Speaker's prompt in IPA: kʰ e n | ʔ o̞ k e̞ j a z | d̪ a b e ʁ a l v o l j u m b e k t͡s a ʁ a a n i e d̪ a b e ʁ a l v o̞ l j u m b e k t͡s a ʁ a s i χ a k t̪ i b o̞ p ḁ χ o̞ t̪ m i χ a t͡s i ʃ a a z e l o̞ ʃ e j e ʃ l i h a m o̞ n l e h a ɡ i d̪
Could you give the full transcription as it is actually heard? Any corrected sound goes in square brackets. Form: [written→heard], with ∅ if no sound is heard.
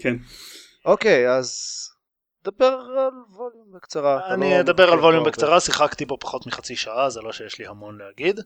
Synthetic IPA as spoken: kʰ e n | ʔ o̞ k e̞ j a z | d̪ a b e ʁ a l v o l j u m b e k t͡s a ʁ a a n i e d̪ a b e ʁ a l v o̞ l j u m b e k t͡s a ʁ a s i χ a k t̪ i b o̞ p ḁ χ o̞ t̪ m i χ a t͡s i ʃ a a z e l o̞ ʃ e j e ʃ l i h a m o̞ n l e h a ɡ i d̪